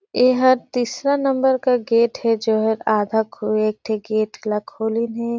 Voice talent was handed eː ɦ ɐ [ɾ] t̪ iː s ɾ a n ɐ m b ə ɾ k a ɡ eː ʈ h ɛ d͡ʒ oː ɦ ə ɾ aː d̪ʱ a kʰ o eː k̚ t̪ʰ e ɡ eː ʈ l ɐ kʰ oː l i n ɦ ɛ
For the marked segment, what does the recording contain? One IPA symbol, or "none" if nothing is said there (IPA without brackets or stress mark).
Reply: ɾ